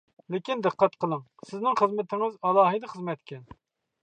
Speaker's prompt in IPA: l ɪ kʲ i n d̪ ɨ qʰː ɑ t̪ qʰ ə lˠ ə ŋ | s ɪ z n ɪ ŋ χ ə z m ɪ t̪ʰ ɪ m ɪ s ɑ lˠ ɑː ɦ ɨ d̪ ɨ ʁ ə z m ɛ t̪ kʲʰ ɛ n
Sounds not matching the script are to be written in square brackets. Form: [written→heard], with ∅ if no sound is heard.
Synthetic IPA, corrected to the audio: l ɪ kʲ i n d̪ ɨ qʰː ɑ t̪ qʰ ə lˠ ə ŋ | s ɪ z n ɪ ŋ χ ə z m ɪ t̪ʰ ɪ [m→ŋ] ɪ [s→z] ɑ lˠ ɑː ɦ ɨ d̪ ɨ [ʁ→χ] ə z m ɛ t̪ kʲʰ ɛ n